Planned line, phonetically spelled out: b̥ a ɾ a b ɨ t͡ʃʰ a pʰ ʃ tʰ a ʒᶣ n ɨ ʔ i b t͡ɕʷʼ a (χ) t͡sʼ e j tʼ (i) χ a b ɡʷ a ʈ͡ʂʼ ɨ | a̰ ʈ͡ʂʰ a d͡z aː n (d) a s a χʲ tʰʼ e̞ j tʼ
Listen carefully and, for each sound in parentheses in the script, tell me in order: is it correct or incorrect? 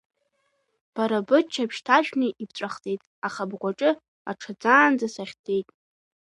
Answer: correct, incorrect: a, incorrect: d͡z

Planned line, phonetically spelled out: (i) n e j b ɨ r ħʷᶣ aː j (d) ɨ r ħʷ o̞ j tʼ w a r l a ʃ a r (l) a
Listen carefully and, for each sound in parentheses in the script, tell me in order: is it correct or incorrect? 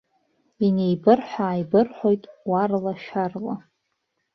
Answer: correct, incorrect: b, correct

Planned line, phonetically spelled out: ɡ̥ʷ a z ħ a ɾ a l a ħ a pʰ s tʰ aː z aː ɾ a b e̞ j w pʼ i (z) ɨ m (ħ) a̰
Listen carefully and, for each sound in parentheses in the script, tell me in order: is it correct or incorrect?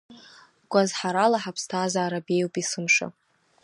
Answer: incorrect: s, incorrect: ʂ

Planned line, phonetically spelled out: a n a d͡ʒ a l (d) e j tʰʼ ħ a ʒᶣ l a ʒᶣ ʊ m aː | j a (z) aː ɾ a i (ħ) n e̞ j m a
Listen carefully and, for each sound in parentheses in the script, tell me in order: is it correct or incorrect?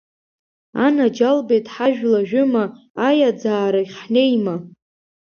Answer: incorrect: b, incorrect: d͡z, incorrect: χ

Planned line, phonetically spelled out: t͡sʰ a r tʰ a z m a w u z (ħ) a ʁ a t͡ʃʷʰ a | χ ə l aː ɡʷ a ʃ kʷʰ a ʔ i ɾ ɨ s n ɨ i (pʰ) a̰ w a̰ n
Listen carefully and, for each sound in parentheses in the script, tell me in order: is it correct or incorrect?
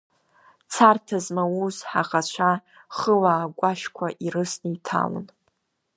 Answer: correct, incorrect: tʰ

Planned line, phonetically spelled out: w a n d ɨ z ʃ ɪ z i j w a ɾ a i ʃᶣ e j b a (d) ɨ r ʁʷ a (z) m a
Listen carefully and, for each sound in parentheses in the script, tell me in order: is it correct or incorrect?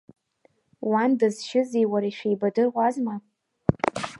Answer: correct, correct

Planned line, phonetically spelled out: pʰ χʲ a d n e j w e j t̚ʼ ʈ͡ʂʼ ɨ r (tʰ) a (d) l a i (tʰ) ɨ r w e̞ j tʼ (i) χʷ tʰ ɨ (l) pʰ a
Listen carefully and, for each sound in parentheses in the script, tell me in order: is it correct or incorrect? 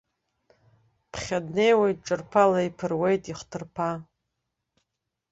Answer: incorrect: pʰ, incorrect: none, incorrect: pʰ, correct, incorrect: r

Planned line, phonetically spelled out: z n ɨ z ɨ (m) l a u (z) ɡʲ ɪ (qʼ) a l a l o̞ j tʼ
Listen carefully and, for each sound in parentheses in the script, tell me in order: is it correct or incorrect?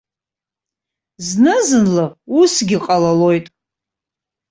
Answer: incorrect: n, incorrect: s, correct

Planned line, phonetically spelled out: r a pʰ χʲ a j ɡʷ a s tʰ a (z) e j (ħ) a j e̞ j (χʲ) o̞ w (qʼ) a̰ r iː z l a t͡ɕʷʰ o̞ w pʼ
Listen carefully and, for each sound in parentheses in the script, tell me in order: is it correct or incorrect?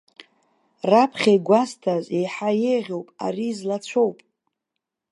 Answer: correct, correct, incorrect: ʁʲ, incorrect: pʼ

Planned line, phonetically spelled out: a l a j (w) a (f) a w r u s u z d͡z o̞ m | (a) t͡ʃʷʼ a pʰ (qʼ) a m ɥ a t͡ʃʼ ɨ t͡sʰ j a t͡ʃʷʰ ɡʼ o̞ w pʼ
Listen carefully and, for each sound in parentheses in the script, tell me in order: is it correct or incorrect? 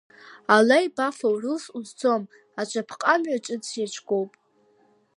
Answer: incorrect: b, correct, correct, correct

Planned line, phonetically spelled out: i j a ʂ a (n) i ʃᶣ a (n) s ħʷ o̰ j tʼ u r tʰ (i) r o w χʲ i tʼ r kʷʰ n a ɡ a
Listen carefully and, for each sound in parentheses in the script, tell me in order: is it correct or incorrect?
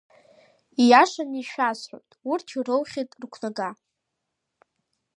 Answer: correct, incorrect: none, correct

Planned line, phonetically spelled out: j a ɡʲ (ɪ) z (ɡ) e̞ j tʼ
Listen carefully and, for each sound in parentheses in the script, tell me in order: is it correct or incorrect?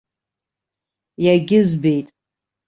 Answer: correct, incorrect: b

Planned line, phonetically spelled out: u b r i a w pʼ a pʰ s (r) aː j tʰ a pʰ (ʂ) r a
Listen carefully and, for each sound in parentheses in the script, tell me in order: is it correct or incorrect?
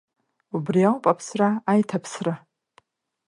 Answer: correct, incorrect: s

